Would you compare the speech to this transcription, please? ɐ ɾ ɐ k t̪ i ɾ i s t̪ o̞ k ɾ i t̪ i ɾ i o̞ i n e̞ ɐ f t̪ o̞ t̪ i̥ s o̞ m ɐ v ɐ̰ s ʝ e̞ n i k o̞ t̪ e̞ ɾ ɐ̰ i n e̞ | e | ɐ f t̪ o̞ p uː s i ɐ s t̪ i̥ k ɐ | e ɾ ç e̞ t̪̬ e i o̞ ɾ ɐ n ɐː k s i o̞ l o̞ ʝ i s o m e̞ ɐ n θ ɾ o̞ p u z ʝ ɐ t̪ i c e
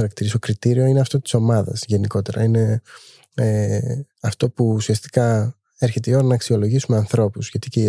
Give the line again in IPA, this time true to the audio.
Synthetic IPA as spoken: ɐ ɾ ɐ k t̪ i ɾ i s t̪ o̞ k ɾ i t̪ i ɾ i o̞ i n e̞ ɐ f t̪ o̞ t̪ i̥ s o̞ m ɐ ð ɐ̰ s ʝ e̞ n i k o̞ t̪ e̞ ɾ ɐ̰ i n e̞ | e | ɐ f t̪ o̞ p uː s i ɐ s t̪ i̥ k ɐ | e ɾ ç e̞ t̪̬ e i o̞ ɾ ɐ n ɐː k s i o̞ l o̞ ʝ i s u m e̞ ɐ n θ ɾ o̞ p u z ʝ ɐ t̪ i c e